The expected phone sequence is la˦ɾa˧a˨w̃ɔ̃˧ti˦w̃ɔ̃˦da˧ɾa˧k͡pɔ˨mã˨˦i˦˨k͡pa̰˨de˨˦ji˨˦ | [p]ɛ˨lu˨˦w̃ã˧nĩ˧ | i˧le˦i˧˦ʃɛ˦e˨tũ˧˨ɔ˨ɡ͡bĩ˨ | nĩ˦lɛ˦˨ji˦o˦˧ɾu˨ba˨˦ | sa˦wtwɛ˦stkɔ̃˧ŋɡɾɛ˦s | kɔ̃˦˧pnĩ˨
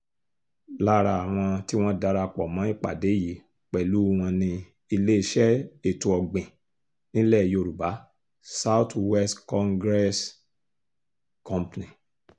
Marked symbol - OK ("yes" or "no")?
no